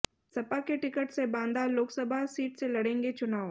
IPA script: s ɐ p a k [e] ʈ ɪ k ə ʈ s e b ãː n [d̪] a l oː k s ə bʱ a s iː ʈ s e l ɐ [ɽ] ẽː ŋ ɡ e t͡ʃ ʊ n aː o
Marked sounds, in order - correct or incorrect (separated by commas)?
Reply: correct, correct, correct